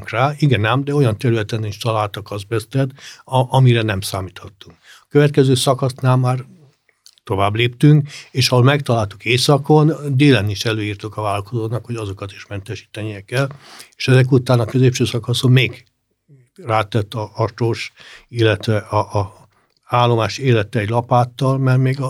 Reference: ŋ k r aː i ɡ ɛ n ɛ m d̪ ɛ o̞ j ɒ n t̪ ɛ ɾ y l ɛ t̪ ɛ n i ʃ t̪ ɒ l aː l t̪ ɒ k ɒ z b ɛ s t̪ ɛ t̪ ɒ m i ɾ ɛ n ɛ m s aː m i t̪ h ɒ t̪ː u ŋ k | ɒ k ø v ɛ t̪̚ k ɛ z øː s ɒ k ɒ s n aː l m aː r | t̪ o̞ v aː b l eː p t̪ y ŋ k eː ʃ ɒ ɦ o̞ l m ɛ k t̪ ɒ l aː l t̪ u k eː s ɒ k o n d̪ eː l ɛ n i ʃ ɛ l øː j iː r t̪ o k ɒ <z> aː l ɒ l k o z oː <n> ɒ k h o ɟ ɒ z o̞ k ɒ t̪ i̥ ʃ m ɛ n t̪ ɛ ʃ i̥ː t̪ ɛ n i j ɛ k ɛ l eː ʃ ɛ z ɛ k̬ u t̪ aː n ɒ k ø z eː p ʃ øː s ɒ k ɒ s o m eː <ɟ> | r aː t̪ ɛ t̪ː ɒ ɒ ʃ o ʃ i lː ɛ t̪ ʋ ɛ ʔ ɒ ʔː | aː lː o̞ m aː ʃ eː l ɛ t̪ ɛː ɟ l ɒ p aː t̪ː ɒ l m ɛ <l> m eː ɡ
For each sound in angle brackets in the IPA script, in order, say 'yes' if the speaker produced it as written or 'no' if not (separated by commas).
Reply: no, yes, no, no